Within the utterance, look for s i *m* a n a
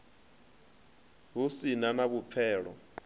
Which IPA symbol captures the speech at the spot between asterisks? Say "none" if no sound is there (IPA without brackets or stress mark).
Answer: n